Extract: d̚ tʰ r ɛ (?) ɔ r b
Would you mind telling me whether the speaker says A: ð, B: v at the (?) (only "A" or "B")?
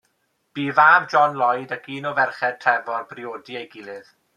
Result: B